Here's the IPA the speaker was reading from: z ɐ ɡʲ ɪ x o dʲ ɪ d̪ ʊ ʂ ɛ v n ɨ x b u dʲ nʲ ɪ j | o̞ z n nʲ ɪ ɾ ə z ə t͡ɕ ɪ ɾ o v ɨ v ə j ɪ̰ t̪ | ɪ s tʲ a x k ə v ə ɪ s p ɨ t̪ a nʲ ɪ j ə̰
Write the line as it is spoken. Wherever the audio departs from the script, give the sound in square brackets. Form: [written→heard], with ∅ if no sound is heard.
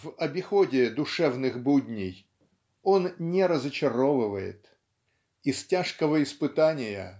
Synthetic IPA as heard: [z→v] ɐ [ɡʲ→bʲ] ɪ x o dʲ ɪ d̪ ʊ ʂ ɛ v n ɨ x b u dʲ nʲ ɪ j | o̞ [z→∅] n nʲ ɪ ɾ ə z ə t͡ɕ ɪ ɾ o v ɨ v ə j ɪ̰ t̪ | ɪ s tʲ a [x→ʂ] k ə v ə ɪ s p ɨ t̪ a nʲ ɪ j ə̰